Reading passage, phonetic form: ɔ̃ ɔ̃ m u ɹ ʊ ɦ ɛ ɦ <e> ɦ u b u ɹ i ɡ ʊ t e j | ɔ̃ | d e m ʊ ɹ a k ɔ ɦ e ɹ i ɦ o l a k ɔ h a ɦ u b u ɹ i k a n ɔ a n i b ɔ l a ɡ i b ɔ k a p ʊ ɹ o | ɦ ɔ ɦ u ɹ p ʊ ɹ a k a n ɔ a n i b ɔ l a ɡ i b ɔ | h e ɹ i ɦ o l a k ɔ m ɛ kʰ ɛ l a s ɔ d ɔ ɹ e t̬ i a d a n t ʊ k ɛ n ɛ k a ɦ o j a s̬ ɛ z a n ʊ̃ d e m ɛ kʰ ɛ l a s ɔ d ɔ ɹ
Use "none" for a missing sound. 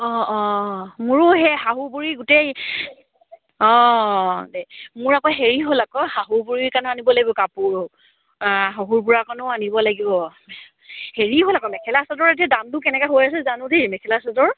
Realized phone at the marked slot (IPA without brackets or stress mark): a